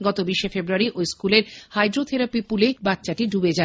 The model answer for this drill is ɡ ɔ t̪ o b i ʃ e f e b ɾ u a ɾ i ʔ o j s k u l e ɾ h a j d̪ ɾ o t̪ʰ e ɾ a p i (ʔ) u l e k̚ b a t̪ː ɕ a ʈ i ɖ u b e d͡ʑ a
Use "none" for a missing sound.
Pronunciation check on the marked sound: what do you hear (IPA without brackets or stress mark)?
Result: p